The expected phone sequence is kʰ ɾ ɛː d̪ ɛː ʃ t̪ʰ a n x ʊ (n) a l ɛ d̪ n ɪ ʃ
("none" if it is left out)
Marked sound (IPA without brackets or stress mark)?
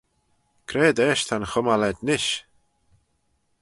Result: m